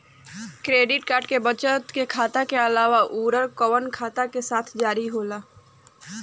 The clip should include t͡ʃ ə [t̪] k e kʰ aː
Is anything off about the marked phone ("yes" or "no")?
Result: no